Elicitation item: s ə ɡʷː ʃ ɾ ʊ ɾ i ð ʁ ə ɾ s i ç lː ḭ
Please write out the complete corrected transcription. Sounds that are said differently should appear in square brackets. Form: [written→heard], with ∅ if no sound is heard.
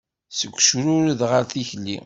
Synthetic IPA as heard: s ə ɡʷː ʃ ɾ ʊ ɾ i ð ʁ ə ɾ [s→θ] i ç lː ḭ